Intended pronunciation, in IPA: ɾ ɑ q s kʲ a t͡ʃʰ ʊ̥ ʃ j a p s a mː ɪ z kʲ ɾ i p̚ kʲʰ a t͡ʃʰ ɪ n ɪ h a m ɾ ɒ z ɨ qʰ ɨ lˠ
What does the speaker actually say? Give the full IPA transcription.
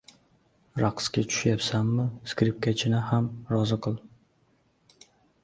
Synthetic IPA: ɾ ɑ q s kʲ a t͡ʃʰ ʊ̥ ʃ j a p s a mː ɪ s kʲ ɾ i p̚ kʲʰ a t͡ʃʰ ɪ n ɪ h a m ɾ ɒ z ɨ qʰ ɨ lˠ